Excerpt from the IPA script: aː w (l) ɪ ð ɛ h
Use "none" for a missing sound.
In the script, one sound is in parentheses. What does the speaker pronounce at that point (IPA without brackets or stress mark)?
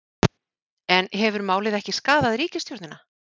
l